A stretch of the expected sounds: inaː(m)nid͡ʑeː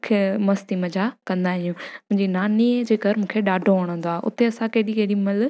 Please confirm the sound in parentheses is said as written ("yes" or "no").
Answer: no